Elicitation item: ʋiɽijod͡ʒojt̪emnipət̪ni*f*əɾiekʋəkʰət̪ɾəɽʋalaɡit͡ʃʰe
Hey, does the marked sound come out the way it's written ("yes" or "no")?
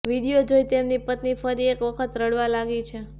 yes